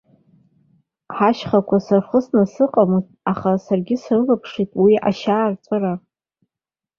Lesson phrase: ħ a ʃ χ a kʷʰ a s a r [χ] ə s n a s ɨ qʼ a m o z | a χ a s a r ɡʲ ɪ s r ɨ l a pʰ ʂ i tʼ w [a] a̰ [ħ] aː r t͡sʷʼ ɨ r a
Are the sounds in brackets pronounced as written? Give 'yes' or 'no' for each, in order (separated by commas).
yes, no, no